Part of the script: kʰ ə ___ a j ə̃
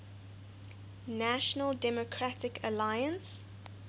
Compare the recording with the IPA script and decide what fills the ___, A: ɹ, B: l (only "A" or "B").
B